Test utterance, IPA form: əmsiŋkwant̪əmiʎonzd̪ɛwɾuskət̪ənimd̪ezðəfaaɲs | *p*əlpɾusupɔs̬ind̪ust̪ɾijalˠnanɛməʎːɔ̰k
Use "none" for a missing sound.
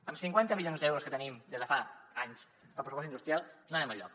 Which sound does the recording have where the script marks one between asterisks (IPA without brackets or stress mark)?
p